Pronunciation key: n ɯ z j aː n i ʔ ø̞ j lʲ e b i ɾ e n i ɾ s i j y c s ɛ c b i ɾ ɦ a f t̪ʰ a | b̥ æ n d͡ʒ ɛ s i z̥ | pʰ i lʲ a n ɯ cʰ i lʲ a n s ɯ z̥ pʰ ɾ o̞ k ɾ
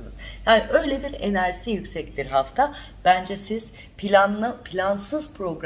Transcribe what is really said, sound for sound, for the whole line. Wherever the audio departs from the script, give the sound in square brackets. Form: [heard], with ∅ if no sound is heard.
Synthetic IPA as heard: n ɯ z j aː n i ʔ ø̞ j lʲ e b i ɾ e n [æ] ɾ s i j y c s ɛ c b i ɾ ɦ a f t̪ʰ a | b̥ æ n d͡ʒ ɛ s i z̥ | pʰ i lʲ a n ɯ [pʰ] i lʲ a n s ɯ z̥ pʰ ɾ o̞ [ɡ] ɾ